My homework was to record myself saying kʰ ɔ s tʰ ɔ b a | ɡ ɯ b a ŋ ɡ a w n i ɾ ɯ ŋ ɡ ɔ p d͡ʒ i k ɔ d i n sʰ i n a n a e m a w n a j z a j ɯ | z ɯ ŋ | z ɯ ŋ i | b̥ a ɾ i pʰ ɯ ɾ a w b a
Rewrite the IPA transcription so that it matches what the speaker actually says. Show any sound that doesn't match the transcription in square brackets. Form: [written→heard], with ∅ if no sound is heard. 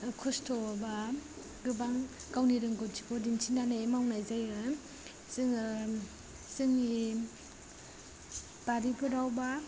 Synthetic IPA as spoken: kʰ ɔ s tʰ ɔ b a | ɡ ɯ b a ŋ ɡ a w n i ɾ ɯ ŋ ɡ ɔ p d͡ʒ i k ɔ d i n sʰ i n a n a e m a w n a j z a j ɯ | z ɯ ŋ | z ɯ ŋ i | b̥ a ɾ i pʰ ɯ ɾ a w b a

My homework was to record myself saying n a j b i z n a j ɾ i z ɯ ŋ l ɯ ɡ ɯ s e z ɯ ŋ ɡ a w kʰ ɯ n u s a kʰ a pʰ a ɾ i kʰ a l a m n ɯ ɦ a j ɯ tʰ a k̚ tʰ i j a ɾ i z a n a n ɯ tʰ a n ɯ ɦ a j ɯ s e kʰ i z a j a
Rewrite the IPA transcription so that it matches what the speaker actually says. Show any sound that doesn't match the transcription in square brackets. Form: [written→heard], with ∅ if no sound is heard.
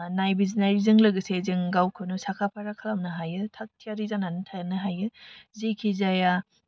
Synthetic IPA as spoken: n a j b i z n a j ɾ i z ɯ ŋ l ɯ ɡ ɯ s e z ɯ ŋ ɡ a w kʰ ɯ n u s a kʰ a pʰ a ɾ [i→a] kʰ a l a m n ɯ ɦ a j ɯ tʰ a k̚ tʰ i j a ɾ i z a n a n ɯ tʰ a n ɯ ɦ a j ɯ [s→z] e kʰ i z a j a

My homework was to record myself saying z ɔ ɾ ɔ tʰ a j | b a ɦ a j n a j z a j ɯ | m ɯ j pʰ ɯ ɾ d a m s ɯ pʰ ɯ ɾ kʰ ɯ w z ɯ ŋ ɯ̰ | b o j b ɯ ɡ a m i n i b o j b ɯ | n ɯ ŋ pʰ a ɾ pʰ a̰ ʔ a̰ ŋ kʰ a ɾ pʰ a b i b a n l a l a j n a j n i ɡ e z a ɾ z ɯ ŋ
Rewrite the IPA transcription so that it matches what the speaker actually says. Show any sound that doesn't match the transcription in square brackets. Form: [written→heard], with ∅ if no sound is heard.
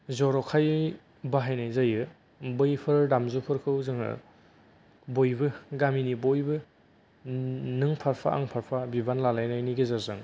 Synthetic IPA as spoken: z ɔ ɾ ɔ [tʰ→kʰ] a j | b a ɦ a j n a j z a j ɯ | [m→b] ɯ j pʰ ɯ ɾ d a m [s→z] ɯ pʰ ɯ ɾ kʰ ɯ w z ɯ ŋ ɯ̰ | b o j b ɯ ɡ a m i n i b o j b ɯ | n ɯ ŋ pʰ a ɾ pʰ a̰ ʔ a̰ ŋ [kʰ→pʰ] a ɾ pʰ a b i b a n l a l a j n a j n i ɡ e z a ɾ z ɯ ŋ

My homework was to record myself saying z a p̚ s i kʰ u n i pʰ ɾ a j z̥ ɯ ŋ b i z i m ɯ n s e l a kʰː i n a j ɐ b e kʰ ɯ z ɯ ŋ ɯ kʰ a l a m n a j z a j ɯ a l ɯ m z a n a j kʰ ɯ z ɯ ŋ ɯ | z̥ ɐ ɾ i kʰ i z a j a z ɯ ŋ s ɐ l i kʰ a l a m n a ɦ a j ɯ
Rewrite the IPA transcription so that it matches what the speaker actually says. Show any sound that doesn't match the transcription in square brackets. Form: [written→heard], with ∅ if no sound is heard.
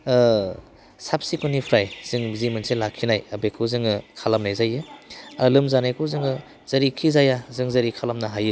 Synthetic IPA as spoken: [z→s] a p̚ s i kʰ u n i pʰ ɾ a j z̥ ɯ ŋ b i z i m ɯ n s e l a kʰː i n a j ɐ b e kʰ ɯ z ɯ ŋ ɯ kʰ a l a m n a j z a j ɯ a l ɯ m z a n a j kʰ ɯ z ɯ ŋ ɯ | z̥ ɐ ɾ i kʰ i z a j a z ɯ ŋ [s→z] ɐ [l→ɾ] i kʰ a l a m n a ɦ a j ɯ

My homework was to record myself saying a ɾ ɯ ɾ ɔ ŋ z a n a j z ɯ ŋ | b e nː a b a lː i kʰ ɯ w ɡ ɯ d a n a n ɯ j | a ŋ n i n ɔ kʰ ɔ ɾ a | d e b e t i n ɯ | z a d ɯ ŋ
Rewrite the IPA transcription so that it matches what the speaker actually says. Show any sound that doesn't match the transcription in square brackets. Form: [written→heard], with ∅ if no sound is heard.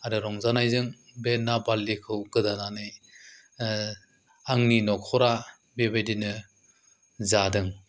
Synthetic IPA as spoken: a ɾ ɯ ɾ ɔ ŋ z a n a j z ɯ ŋ | b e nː a b a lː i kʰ ɯ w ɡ ɯ d a n a n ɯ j | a ŋ n i n ɔ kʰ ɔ ɾ a | [d→b] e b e [t→d] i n ɯ | z a d ɯ ŋ

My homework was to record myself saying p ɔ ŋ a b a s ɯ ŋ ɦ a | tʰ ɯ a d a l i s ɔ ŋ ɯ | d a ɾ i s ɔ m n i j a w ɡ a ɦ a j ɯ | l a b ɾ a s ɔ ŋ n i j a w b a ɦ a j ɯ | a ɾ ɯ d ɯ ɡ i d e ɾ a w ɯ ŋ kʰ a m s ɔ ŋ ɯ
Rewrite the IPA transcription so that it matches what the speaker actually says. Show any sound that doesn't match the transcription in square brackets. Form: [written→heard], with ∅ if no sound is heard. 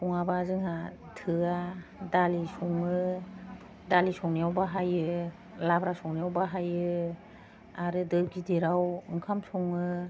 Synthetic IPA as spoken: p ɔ ŋ a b a [s→z] ɯ ŋ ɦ a | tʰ ɯ a d a l i s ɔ ŋ ɯ | d a [ɾ→l] i s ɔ [m→ŋ] n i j a w [ɡ→b] a ɦ a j ɯ | l a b ɾ a s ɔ ŋ n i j a w b a ɦ a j ɯ | a ɾ ɯ d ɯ ɡ i d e ɾ a w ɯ ŋ kʰ a m s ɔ ŋ ɯ

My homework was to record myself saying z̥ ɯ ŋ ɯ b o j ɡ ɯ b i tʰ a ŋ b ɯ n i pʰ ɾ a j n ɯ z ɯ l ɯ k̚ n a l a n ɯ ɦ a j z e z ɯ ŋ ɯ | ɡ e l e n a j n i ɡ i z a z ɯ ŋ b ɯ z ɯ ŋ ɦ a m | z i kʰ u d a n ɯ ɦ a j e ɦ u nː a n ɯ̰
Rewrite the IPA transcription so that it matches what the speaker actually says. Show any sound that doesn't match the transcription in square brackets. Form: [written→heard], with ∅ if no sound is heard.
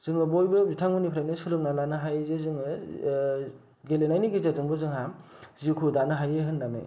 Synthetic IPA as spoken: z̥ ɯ ŋ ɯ b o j [ɡ→b] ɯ b i tʰ a ŋ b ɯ n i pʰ ɾ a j n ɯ [z→s] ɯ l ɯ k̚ n a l a n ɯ ɦ a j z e z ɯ ŋ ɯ | ɡ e l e n a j n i ɡ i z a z ɯ ŋ b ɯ z ɯ ŋ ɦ a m | z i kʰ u d a n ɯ ɦ a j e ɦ [u→ɯ] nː a n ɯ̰

